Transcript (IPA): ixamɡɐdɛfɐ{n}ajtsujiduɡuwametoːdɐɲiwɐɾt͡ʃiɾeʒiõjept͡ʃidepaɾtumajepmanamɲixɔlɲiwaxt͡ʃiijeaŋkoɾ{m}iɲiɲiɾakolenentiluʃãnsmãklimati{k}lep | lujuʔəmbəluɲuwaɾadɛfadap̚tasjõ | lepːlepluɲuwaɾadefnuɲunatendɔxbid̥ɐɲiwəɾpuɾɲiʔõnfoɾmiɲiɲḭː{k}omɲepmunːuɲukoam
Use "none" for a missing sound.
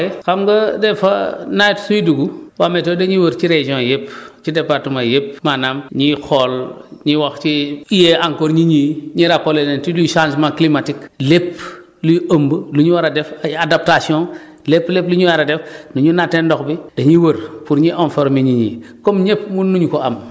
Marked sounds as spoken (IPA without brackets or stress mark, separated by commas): n, ɲ, k, k